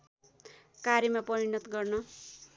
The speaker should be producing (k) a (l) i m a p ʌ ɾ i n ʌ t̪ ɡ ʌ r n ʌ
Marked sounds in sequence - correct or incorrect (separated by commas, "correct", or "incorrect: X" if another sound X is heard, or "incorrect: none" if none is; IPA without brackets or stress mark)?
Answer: correct, incorrect: ɾ